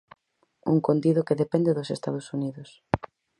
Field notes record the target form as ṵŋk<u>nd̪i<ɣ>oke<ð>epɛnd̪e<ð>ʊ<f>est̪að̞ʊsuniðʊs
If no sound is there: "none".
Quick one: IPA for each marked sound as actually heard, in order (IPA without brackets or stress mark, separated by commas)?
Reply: o, ð, ð, ð, s